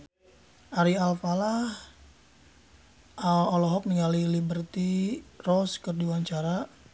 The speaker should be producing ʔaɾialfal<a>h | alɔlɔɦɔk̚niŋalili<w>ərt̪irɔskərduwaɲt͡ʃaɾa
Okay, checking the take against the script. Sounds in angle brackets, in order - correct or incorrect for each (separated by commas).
correct, incorrect